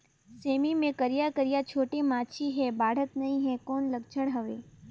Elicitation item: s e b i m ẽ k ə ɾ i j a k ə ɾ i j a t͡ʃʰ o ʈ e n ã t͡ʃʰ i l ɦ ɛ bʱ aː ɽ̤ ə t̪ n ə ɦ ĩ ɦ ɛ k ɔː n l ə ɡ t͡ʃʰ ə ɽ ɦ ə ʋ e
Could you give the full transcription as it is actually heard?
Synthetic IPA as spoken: s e m i m ẽ k ə ɾ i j a k ə ɾ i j a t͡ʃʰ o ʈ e m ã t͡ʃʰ i ɦ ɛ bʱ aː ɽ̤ ə t̪ n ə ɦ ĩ ɦ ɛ k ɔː n l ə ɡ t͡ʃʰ ə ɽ ɦ ə ʋ e